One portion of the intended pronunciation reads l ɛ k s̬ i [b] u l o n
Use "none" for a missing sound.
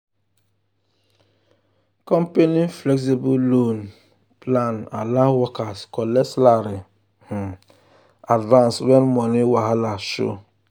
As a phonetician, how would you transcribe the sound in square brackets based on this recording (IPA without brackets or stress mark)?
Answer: b